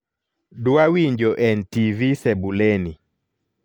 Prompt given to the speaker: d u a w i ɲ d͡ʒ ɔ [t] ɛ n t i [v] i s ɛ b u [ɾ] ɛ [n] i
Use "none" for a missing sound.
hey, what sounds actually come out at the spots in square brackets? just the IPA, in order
ʔ, v, l, n

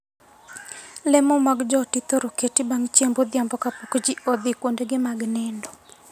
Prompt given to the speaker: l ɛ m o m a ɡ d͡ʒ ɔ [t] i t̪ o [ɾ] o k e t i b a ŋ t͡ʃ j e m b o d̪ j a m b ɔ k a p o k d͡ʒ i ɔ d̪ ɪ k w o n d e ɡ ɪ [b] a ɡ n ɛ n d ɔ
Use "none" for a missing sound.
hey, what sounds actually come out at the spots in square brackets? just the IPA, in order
t, ɾ, m

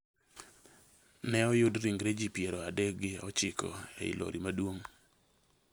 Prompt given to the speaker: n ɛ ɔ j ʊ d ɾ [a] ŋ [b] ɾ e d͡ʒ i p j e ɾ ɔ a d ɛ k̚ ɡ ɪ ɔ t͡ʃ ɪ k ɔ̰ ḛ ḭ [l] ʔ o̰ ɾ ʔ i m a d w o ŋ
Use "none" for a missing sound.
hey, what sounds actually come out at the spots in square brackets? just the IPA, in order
i, ɡ, l

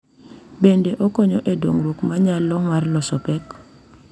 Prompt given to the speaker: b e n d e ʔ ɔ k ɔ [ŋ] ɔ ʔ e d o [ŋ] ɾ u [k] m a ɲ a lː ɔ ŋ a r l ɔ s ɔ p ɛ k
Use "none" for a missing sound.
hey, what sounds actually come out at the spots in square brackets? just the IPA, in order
ɲ, ŋ, k

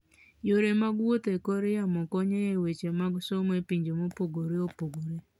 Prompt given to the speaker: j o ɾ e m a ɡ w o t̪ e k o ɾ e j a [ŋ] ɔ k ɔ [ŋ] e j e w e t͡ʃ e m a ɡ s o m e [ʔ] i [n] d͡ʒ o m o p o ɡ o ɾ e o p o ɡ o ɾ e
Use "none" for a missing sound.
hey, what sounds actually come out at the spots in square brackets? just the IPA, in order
m, ɲ, p, ɲ

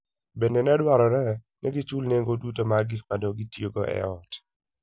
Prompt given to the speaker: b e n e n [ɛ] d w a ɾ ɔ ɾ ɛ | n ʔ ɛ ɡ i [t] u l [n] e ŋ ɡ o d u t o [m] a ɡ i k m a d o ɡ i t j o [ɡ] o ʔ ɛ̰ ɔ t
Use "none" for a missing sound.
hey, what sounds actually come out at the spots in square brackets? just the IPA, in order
ɛ, t͡ʃ, n, m, ɡ

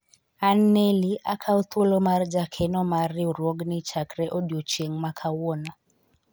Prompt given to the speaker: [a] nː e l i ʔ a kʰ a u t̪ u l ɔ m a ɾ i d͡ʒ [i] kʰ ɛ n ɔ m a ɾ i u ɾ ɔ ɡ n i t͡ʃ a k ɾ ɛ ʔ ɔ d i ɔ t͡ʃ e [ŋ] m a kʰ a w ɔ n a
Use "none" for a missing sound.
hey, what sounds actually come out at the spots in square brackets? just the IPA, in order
a, a, ŋ

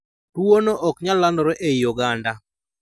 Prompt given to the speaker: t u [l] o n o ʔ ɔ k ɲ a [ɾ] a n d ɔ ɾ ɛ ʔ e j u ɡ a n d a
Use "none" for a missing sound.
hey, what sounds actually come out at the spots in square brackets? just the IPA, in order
none, l

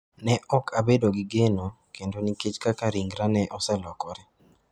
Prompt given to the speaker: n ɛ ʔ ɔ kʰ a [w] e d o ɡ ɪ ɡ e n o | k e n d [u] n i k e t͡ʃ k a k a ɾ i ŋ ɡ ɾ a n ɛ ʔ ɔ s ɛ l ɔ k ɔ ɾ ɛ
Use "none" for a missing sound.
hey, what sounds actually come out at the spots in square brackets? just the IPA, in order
b, o

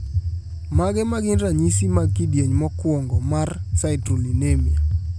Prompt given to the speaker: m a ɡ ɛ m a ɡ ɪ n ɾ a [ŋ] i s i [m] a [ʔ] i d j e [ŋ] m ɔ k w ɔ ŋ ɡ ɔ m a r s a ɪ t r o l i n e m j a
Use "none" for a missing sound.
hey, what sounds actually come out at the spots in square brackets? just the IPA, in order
ɲ, m, k, ɲ

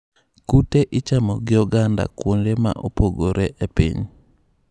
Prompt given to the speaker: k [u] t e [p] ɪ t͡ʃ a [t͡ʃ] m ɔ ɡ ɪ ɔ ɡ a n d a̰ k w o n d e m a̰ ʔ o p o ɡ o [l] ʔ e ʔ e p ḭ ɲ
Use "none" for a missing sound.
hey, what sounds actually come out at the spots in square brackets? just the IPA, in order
u, ʔ, none, ɾ

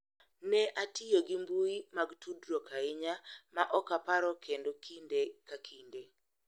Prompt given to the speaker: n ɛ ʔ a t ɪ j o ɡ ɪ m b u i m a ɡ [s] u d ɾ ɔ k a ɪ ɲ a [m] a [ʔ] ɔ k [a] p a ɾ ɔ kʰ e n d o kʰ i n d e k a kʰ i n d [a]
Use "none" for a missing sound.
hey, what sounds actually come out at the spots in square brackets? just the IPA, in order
t, m, ʔ, a, e

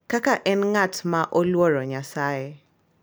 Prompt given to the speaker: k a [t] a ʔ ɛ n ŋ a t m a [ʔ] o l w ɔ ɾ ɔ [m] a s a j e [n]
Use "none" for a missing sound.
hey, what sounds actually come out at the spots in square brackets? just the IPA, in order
k, ʔ, ɲ, none

